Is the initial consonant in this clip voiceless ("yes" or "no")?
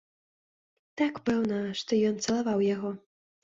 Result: yes